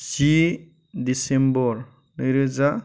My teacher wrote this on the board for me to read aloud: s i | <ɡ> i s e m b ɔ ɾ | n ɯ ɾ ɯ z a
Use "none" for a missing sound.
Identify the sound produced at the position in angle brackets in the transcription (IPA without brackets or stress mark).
d